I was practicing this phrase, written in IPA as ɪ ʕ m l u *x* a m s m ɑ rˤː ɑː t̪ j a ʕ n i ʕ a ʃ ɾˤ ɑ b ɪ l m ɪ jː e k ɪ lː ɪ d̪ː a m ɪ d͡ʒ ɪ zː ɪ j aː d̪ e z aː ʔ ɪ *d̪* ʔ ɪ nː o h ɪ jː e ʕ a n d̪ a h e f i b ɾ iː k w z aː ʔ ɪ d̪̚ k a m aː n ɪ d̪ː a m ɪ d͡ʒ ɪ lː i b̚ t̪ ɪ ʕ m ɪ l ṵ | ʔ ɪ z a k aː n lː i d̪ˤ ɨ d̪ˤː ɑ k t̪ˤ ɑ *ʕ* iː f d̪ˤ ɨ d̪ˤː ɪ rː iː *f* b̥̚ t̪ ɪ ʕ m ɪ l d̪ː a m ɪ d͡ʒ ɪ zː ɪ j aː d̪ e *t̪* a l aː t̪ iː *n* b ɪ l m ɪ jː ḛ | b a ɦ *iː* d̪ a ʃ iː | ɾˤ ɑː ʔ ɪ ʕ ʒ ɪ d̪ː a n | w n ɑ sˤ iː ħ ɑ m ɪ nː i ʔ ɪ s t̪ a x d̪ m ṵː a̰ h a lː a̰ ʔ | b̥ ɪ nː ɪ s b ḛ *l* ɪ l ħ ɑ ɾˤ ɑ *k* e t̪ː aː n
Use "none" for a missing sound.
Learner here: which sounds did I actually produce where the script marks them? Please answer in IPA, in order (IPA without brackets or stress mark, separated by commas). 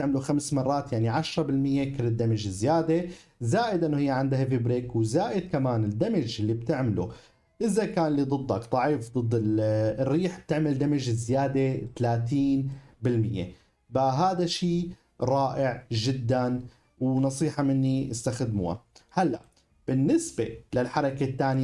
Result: x, d̪, ʕ, ħ, t̪, n, aː, l, k